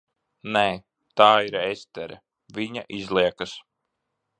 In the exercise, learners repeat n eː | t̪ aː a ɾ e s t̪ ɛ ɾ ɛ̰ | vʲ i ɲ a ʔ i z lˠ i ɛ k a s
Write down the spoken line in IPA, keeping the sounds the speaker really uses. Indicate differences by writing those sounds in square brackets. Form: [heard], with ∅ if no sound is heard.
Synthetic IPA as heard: n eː | t̪ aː [i] ɾ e s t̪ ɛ ɾ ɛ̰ | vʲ i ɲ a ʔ i z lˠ i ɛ k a s